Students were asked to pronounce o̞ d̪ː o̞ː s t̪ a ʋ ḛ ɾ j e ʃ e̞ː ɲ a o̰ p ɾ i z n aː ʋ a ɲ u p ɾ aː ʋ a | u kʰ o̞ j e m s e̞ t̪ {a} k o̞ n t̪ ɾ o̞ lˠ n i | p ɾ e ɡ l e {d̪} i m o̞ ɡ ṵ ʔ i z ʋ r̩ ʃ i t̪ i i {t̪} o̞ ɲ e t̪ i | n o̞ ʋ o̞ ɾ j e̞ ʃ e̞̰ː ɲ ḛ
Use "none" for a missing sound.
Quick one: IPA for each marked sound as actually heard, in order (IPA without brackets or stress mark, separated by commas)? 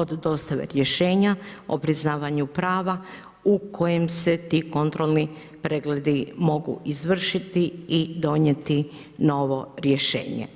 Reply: i, d̪, d̪